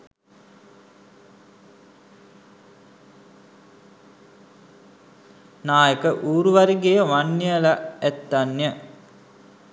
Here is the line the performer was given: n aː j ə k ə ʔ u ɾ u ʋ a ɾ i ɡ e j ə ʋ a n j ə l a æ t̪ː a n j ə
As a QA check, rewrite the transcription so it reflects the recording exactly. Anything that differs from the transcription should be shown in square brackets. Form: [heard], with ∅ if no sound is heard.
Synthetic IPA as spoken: n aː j ə k ə ʔ [uː] ɾ u ʋ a ɾ i ɡ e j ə ʋ a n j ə l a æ t̪ː a n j ə